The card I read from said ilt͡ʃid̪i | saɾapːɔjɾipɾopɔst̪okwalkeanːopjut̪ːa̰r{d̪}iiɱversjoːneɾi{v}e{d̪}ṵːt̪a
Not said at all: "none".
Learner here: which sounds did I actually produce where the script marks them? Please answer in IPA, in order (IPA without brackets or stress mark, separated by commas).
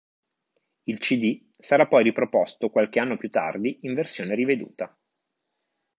d̪, v, d̪